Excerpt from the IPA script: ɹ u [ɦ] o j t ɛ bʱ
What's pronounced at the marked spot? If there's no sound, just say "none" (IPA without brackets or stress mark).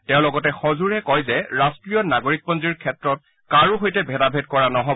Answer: ɦ